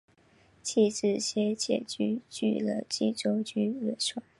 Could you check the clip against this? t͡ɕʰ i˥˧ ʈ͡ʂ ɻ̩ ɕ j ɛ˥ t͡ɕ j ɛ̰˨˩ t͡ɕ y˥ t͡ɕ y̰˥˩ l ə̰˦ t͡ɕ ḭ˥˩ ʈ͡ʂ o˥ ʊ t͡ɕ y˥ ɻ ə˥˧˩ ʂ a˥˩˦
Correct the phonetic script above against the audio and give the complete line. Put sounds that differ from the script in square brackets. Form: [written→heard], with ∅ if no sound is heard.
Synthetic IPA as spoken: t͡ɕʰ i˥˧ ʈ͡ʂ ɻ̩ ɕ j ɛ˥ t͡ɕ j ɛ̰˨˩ t͡ɕ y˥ t͡ɕ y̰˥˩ l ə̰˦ t͡ɕ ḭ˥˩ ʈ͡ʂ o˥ ʊ t͡ɕ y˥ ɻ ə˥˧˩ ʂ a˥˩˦